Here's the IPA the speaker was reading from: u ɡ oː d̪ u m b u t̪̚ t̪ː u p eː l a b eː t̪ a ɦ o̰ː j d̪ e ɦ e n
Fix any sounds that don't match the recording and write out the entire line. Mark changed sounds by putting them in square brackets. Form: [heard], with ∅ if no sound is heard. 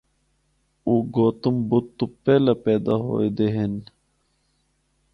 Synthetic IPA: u ɡ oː [t̪] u m b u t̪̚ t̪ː u p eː l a [p] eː [d̪] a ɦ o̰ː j d̪ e ɦ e n